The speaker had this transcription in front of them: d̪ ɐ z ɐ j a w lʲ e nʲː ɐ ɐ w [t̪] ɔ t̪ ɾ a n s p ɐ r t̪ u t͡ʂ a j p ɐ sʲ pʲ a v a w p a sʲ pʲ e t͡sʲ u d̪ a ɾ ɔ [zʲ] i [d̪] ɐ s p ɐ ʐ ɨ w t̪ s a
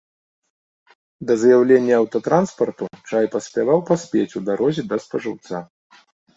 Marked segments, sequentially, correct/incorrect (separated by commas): correct, correct, correct